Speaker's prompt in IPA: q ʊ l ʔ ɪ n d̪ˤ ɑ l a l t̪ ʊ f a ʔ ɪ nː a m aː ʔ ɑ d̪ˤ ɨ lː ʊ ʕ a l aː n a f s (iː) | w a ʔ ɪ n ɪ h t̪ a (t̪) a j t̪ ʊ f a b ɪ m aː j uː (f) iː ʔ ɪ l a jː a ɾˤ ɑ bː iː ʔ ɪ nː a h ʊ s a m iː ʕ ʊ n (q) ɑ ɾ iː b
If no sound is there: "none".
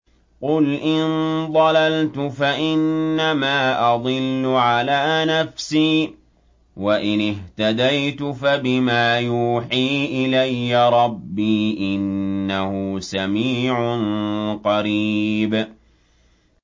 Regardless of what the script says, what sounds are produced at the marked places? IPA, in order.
iː, d̪, ħ, q

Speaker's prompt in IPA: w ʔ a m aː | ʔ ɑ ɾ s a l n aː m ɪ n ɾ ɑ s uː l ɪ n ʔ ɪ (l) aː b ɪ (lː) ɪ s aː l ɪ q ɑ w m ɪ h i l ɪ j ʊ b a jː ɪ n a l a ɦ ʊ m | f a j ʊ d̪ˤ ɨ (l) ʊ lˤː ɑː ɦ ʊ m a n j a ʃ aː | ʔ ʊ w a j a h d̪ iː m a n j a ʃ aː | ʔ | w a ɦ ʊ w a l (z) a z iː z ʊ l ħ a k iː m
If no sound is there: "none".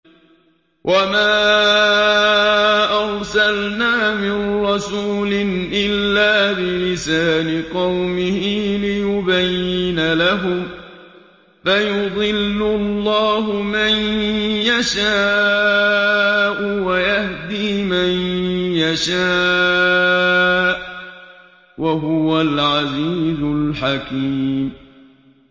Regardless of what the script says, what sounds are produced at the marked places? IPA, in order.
lː, l, lː, ʕ

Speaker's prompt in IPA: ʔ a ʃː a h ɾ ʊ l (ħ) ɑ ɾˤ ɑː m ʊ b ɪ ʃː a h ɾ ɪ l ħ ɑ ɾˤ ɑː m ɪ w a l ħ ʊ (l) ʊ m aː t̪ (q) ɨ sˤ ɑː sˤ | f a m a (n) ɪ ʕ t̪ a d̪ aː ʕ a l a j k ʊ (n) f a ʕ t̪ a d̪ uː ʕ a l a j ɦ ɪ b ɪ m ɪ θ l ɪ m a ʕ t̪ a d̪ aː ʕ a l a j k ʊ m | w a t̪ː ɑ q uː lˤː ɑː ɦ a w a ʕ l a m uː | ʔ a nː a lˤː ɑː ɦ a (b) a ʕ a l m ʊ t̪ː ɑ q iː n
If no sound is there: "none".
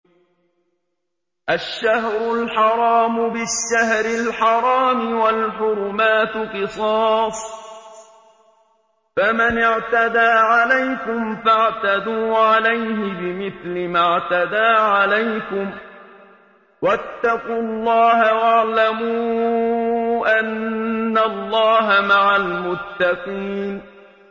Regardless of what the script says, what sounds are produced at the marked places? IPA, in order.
ħ, ɾ, q, n, m, m

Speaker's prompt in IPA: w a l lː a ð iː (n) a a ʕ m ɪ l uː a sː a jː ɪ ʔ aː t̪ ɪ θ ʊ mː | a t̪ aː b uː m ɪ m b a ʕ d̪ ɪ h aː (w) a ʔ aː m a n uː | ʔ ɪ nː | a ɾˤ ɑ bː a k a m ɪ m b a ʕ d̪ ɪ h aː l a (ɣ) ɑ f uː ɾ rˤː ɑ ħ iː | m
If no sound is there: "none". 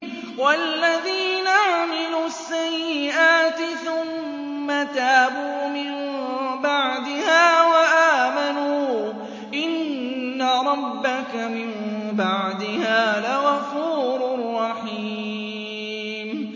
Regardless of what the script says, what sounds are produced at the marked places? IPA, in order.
n, w, ɣ

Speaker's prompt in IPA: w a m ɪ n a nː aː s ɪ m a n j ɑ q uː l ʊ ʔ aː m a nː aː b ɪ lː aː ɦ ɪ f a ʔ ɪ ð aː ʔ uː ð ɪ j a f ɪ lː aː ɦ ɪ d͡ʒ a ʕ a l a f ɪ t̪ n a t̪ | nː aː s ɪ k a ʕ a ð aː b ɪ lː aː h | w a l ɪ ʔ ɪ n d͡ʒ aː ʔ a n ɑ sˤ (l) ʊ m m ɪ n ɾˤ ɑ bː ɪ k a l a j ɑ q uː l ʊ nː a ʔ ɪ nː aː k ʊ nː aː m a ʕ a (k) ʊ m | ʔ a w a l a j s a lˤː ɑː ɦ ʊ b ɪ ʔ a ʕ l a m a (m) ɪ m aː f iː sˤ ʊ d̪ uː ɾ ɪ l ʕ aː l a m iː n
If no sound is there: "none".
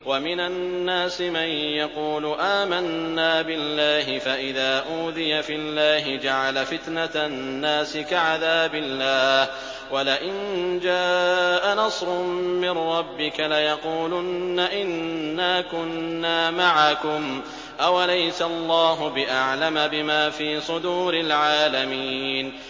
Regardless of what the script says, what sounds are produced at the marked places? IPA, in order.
ɾ, k, b

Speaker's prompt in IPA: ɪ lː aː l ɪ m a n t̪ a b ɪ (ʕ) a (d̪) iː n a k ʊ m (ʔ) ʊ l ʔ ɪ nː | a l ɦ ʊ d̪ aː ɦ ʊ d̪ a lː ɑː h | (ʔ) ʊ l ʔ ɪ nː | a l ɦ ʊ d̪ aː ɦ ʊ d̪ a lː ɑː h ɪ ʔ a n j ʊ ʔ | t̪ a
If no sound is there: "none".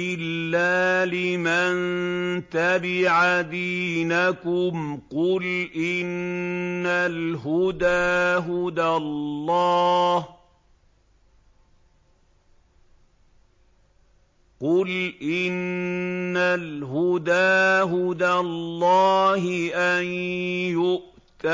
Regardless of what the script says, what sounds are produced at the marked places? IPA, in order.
ʕ, d̪, q, q

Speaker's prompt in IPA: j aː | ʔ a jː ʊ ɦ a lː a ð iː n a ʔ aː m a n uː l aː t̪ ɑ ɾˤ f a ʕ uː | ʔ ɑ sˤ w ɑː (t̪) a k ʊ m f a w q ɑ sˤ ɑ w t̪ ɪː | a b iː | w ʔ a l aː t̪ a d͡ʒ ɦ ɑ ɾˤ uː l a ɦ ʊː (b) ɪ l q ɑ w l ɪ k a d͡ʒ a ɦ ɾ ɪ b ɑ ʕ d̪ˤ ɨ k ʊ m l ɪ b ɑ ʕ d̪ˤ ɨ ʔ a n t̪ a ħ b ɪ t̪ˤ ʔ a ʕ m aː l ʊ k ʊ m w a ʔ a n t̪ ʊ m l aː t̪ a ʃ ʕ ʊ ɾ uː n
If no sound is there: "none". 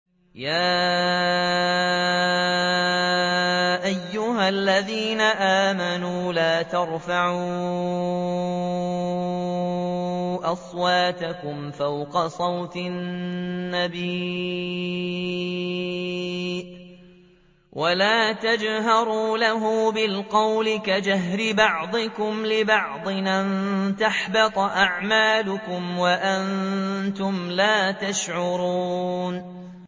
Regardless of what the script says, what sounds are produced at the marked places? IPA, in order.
t̪, b

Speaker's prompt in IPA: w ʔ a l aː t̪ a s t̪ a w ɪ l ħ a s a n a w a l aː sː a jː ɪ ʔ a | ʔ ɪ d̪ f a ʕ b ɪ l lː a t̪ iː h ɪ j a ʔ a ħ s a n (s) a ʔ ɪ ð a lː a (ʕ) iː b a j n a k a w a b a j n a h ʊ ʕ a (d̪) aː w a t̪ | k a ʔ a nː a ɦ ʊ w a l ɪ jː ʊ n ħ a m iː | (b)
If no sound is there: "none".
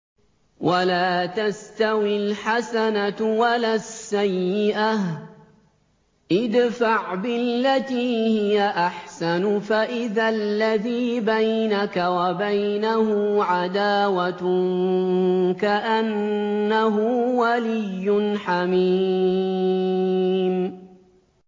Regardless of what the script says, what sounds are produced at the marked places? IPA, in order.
f, ð, d̪, m

